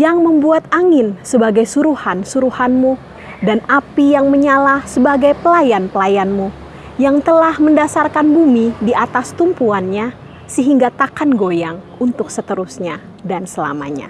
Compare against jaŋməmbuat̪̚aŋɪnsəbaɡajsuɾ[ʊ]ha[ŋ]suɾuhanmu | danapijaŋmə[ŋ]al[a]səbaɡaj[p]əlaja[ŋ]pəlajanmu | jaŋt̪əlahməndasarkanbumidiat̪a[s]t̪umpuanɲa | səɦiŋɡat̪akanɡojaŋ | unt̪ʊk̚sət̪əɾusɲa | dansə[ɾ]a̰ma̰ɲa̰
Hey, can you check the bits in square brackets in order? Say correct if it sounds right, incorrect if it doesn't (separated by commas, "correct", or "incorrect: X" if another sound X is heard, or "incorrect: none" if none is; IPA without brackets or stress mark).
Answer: incorrect: u, incorrect: n, incorrect: ɲ, correct, correct, incorrect: n, correct, incorrect: l